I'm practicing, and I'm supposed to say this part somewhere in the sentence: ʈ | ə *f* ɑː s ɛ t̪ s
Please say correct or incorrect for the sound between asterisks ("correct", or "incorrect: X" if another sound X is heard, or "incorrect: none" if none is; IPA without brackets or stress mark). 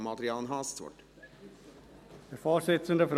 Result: correct